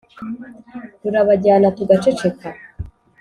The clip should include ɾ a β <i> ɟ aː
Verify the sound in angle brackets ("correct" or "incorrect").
incorrect